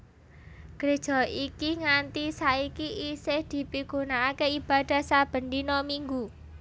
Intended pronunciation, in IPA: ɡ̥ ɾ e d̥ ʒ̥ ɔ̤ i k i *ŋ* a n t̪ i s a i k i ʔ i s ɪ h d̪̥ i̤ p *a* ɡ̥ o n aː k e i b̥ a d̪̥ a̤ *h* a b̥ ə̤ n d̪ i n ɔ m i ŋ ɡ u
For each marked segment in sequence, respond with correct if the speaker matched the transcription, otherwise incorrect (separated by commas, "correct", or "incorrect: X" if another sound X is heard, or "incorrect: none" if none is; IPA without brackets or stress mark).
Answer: correct, incorrect: i, incorrect: s